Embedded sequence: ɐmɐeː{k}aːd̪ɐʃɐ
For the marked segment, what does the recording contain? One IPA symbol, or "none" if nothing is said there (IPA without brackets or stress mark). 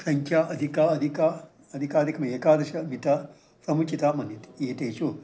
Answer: k